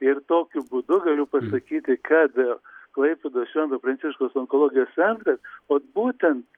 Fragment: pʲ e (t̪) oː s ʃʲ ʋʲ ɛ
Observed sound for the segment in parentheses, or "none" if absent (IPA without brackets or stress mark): d̪